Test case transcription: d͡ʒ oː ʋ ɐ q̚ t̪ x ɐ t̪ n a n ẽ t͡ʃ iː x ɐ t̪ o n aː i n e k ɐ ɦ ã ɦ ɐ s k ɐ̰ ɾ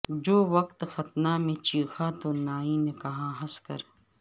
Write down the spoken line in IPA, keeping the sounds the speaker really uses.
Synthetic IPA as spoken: d͡ʒ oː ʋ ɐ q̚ t̪ x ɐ t̪ n a m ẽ t͡ʃ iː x a t̪ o n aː i n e k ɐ ɦ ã ɦ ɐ s k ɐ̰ ɾ